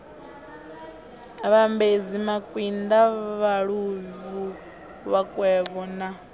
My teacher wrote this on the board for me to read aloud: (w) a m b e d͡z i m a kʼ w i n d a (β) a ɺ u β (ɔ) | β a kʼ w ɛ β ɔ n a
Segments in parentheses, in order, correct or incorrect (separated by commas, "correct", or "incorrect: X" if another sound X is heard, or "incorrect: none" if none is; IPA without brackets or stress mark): incorrect: β, correct, incorrect: u